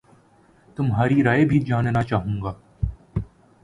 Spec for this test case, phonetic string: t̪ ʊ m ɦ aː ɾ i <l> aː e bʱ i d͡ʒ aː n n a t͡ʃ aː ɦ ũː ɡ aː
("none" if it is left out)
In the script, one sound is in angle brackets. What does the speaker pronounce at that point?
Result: ɾ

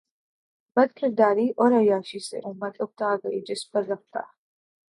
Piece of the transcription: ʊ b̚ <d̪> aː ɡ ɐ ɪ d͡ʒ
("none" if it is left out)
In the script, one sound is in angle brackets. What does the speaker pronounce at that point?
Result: t̪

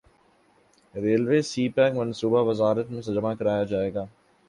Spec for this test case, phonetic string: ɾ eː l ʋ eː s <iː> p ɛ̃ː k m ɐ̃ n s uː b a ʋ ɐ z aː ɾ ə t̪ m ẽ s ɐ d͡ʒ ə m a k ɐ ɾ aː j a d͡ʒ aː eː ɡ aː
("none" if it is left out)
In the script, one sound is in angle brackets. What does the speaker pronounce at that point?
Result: iː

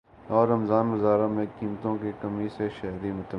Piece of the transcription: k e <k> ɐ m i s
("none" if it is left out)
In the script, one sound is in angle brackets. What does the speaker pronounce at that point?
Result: k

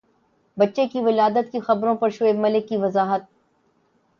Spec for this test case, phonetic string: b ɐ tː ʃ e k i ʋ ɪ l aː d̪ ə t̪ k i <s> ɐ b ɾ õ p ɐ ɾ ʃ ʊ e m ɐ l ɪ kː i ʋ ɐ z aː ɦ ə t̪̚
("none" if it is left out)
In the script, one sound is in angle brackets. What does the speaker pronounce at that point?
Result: x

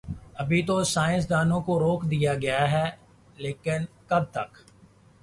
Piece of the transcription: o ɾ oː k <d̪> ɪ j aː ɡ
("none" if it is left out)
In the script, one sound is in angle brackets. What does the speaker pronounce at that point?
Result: d̪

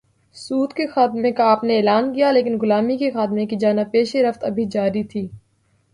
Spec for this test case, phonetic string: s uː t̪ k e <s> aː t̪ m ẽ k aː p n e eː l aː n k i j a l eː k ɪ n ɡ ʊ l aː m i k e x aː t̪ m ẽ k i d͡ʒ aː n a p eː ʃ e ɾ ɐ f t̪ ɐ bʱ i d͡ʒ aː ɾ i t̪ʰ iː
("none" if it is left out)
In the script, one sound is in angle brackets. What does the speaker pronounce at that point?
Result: x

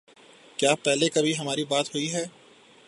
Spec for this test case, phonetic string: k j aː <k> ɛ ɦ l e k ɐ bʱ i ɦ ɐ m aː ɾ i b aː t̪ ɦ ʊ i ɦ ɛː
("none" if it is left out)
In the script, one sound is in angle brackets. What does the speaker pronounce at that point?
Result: p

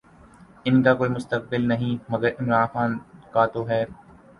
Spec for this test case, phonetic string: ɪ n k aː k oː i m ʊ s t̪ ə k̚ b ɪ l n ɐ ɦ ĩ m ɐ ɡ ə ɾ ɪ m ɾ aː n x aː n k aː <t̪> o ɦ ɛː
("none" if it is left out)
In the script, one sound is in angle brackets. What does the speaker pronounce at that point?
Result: t̪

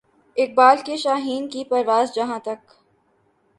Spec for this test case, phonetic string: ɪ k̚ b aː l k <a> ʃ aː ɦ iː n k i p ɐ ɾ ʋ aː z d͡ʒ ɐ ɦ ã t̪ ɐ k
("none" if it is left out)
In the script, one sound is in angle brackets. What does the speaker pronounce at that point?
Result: e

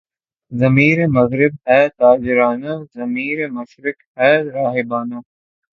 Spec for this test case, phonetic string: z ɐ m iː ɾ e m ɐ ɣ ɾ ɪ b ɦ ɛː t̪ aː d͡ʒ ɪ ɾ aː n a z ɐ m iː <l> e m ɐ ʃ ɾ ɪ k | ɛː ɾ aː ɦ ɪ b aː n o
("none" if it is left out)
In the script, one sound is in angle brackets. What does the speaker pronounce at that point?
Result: ɾ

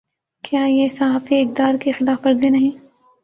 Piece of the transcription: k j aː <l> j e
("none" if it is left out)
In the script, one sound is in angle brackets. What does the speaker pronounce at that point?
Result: none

